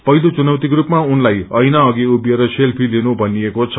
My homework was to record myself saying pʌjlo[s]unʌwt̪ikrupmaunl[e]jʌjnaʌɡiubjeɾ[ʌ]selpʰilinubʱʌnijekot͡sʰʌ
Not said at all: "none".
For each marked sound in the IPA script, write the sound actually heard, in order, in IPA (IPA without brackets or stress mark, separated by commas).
t͡s, a, ʌ